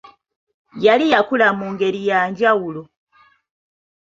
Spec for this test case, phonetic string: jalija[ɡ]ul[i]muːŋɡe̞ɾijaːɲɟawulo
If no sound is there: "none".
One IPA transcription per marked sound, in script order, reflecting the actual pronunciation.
k, a

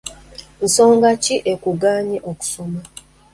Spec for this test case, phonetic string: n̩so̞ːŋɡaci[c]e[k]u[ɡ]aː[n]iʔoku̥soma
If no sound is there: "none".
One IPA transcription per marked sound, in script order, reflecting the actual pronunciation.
ʔ, k, ɡ, ɲ

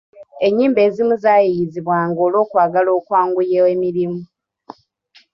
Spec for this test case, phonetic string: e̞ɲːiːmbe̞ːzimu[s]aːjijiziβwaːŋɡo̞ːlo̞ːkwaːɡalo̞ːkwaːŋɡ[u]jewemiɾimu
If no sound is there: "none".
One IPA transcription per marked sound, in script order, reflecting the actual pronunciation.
z, u

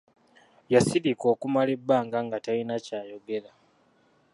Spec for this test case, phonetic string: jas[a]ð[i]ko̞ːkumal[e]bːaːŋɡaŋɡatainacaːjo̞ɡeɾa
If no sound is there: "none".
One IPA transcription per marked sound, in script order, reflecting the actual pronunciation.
i, i, e

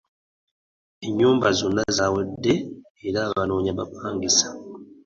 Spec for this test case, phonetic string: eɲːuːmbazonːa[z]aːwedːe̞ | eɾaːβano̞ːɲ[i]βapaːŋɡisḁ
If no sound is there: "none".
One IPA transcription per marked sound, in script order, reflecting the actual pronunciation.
z, a

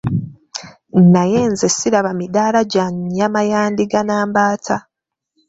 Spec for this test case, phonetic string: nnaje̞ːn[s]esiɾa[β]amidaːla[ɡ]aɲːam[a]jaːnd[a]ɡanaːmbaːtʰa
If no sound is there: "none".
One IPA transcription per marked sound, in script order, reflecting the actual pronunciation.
z, β, ɟ, a, i

